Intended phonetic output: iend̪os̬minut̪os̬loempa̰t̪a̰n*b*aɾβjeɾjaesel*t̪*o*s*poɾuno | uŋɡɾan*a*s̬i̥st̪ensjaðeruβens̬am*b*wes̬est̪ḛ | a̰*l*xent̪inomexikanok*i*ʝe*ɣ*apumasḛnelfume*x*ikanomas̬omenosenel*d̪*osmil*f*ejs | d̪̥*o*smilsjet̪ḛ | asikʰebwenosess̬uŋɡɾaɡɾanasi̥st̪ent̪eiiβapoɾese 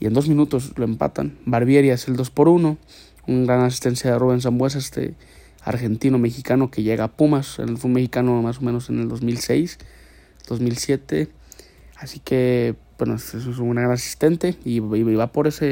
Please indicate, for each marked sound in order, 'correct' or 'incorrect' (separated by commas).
correct, incorrect, correct, correct, correct, incorrect, incorrect, correct, correct, correct, incorrect, correct